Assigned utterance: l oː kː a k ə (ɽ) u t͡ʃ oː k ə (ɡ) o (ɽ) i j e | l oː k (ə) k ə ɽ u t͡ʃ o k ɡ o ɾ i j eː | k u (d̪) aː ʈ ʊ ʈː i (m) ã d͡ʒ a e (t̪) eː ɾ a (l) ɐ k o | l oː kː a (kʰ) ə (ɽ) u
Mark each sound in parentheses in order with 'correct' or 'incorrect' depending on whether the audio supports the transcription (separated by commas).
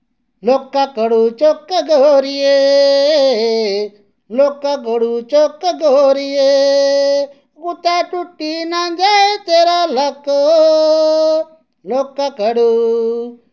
correct, correct, incorrect, incorrect, incorrect, incorrect, correct, correct, incorrect, correct